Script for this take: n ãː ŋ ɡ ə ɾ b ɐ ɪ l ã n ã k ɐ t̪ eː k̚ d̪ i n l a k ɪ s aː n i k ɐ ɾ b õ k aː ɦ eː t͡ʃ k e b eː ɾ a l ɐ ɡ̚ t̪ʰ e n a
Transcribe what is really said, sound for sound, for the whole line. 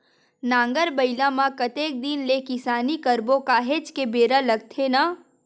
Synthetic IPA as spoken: n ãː ŋ ɡ ə ɾ b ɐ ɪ l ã m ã k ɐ t̪ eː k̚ d̪ i n l e k ɪ s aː n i k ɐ ɾ b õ k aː ɦ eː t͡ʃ k e b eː ɾ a l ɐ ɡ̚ t̪ʰ e n a